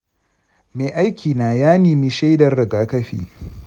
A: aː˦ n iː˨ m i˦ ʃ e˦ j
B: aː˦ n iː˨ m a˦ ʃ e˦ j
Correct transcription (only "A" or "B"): A